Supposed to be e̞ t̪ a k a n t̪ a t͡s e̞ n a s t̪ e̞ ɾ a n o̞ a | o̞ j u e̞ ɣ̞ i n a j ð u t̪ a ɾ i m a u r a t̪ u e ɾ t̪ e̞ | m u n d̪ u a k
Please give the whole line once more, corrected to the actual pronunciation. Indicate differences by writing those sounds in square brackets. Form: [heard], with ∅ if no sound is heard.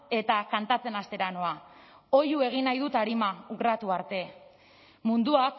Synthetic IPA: e̞ t̪ a k a n t̪ a t͡s e̞ n a s t̪ e̞ ɾ a n o̞ a | o̞ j u e̞ ɣ̞ i n a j ð u t̪ a ɾ i m a u r a t̪ u [a] ɾ t̪ e̞ | m u n d̪ u a k